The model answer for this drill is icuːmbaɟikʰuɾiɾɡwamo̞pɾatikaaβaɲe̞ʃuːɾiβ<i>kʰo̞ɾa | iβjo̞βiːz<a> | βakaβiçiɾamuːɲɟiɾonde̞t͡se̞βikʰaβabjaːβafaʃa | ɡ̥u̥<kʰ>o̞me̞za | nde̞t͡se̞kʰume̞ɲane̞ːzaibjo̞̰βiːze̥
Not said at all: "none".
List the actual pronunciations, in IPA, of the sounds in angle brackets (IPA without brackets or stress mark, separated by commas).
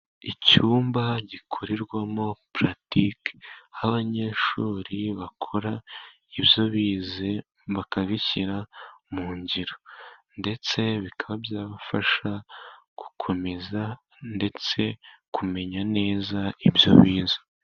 a, e, kʰ